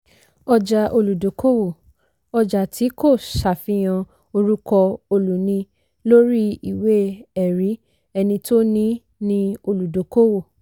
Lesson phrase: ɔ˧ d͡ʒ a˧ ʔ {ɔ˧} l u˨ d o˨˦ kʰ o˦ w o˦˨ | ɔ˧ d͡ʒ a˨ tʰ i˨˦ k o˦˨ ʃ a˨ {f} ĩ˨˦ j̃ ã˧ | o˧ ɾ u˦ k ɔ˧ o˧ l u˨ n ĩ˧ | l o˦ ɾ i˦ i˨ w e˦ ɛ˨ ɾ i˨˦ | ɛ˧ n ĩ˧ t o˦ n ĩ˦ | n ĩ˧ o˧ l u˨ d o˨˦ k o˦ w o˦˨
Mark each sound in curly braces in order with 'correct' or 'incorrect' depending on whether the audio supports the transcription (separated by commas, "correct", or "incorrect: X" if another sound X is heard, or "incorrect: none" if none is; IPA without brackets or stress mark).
incorrect: o˧, correct